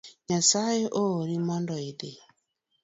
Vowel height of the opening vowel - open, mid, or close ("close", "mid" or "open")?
open